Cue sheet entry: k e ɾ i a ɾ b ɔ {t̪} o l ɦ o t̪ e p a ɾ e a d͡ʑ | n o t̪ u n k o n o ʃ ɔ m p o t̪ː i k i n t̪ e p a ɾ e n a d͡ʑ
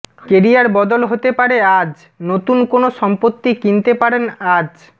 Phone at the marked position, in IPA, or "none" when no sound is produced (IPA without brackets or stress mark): d̪